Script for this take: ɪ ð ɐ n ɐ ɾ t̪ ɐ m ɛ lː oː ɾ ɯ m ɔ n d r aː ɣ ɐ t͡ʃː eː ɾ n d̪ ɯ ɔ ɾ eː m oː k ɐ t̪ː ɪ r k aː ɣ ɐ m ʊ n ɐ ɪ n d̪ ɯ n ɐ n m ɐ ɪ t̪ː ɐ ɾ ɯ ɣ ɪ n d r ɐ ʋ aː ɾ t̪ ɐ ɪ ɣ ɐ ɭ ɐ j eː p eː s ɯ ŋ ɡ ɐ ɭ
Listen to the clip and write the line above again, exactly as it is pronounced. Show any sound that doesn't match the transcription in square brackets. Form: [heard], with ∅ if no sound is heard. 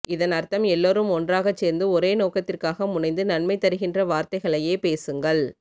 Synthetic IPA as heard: ɪ ð ɐ n ɐ ɾ t̪ ɐ m ɛ lː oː ɾ ɯ m ɔ n d r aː ɣ ɐ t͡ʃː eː ɾ n d̪ ɯ ɔ ɾ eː [n] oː k ɐ t̪ː ɪ r k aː ɣ ɐ m ʊ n ɐ ɪ n d̪ ɯ n ɐ n m ɐ ɪ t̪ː ɐ ɾ ɯ ɣ ɪ n d r ɐ ʋ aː ɾ t̪ ɐ ɪ ɣ ɐ ɭ ɐ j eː p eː s ɯ ŋ ɡ ɐ ɭ